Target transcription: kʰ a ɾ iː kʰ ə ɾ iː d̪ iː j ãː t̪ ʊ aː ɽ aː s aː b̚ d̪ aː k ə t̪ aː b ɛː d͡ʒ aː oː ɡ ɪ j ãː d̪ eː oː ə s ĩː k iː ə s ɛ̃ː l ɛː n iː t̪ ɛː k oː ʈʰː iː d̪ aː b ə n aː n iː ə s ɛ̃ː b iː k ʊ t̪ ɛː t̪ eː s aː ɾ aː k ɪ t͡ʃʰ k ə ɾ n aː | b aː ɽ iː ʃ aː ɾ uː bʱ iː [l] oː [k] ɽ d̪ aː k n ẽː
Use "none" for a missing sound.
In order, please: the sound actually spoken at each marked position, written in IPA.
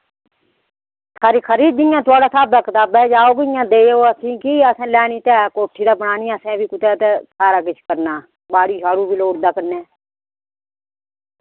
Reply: l, none

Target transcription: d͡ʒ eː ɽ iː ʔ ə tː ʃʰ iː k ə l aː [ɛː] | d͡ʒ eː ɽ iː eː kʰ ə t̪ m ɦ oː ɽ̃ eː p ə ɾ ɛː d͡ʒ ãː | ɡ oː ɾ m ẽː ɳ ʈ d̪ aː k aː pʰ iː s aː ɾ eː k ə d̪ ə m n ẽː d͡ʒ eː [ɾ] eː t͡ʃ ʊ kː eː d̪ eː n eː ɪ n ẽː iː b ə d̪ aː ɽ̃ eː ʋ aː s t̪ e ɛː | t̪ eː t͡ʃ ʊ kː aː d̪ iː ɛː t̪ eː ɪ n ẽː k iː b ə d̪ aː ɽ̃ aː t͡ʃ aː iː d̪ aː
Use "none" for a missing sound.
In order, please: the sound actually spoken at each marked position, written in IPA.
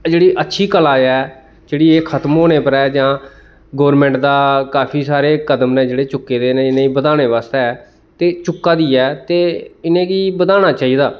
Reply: ɛː, ɽ

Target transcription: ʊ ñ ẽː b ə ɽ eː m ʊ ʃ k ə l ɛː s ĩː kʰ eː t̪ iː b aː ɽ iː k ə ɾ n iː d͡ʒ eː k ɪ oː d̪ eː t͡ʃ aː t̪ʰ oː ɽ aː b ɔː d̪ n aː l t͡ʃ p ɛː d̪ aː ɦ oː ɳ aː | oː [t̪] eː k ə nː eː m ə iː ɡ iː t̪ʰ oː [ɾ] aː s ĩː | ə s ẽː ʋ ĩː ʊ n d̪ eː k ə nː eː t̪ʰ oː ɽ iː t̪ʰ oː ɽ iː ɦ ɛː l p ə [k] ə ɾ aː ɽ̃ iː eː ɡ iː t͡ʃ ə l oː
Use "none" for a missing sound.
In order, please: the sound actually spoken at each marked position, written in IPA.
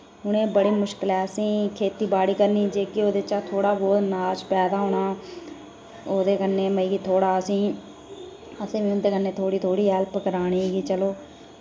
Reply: d̪, ɽ, k

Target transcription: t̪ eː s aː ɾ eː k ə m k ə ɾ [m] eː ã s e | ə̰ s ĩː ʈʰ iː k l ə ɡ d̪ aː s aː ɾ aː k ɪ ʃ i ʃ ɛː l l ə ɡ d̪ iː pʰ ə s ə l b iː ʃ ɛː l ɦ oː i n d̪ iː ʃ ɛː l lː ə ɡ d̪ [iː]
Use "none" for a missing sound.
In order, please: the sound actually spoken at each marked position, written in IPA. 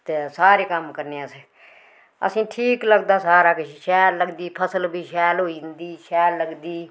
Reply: n, iː

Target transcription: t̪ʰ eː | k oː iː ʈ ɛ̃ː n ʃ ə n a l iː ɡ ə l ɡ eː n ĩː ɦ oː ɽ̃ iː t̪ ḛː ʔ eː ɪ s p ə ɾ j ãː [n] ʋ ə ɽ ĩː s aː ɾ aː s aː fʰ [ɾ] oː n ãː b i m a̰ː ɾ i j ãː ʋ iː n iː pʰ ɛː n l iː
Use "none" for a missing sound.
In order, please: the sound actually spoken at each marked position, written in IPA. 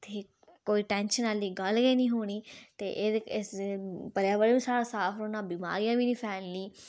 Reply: none, ɾ

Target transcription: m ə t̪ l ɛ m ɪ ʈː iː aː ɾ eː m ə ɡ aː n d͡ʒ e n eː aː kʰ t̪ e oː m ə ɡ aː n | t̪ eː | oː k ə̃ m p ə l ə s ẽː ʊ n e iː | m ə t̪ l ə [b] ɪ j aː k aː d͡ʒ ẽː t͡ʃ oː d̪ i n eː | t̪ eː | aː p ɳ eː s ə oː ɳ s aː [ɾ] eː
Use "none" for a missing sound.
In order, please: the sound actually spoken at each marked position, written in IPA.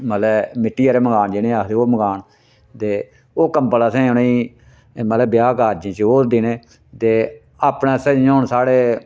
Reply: b, ɽ

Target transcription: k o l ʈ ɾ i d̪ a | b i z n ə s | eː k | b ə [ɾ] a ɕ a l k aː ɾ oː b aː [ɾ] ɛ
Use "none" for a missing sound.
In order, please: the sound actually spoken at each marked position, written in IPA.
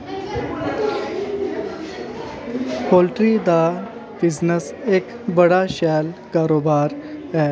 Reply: ɽ, ɾ

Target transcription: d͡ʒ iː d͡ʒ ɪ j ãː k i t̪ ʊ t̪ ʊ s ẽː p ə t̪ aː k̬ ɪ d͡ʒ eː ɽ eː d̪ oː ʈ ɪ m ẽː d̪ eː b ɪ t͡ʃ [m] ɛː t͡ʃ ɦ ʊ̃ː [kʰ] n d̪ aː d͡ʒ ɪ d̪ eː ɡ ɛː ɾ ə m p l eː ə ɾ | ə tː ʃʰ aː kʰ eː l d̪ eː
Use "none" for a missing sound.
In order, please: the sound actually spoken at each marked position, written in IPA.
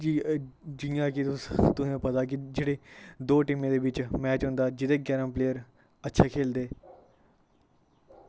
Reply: m, none

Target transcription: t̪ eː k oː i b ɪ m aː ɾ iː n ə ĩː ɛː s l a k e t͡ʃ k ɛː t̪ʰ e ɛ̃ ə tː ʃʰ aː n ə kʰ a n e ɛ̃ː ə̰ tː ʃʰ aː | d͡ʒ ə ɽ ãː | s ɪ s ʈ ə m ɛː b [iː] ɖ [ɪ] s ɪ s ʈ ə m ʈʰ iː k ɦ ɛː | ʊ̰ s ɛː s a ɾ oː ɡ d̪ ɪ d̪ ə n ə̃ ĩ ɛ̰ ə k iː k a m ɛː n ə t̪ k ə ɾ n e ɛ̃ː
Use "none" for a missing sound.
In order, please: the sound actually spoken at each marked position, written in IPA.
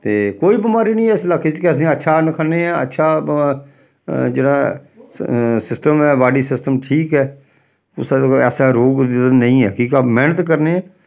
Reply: aː, i

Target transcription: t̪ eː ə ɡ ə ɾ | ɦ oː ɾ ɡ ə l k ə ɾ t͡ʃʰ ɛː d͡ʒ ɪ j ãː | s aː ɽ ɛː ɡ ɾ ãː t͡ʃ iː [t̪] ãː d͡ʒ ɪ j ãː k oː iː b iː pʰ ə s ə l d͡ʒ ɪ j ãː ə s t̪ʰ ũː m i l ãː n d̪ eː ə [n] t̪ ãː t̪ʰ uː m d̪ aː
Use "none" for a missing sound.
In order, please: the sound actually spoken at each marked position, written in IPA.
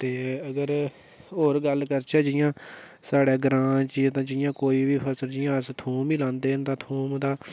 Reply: t̪, n

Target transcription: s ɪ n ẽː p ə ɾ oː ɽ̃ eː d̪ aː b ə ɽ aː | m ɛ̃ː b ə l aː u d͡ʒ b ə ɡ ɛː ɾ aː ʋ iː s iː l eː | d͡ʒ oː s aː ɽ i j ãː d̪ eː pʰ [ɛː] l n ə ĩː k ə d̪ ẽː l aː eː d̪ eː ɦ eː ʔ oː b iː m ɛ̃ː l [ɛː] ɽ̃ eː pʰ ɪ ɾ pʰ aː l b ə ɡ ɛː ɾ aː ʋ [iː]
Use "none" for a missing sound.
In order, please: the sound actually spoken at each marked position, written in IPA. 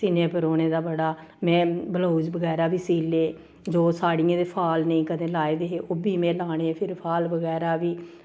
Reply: aː, aː, iː

